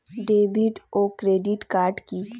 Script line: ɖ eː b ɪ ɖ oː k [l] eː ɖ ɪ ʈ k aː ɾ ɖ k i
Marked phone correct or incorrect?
incorrect